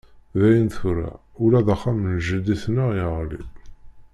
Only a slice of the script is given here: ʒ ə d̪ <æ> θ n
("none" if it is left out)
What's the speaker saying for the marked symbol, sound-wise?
i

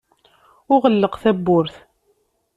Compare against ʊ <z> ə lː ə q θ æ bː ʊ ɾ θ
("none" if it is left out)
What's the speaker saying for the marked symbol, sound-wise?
ʁ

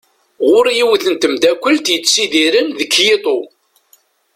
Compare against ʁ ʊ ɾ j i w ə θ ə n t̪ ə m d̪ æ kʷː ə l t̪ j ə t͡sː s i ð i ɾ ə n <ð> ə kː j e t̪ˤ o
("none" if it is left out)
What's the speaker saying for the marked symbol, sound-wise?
ð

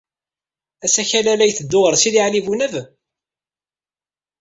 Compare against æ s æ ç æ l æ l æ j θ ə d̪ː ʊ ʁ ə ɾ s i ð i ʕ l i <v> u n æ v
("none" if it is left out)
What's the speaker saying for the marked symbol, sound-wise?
v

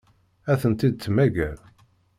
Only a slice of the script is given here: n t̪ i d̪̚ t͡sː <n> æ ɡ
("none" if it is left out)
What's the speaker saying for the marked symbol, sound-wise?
m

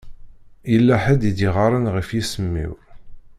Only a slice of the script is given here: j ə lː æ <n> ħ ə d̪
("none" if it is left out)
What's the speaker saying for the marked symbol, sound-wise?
none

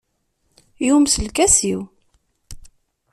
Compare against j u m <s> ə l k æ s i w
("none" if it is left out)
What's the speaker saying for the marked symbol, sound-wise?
s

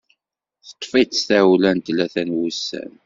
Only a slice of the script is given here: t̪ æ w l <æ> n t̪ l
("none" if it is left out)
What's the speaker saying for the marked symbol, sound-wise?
æ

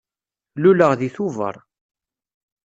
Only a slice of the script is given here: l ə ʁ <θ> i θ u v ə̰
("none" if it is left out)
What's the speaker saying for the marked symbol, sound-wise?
ð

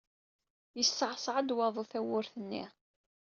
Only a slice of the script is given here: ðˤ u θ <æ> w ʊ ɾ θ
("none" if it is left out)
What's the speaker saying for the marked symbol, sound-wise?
æ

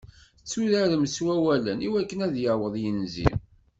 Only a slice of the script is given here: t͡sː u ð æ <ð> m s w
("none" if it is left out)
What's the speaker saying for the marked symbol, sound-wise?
ð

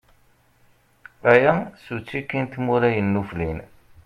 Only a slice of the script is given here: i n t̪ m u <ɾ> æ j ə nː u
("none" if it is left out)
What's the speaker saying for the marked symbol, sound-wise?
ɾ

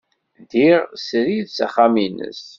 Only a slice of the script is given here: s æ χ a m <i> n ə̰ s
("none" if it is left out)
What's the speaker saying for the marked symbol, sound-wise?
i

